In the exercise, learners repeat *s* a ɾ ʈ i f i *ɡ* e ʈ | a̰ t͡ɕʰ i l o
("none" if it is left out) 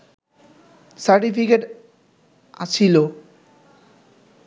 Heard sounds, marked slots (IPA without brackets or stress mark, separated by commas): s, k